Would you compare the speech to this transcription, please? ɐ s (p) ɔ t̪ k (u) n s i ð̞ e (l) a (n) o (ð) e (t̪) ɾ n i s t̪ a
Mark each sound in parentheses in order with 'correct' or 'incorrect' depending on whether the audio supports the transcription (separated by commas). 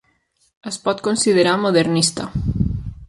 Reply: correct, incorrect, incorrect, incorrect, correct, incorrect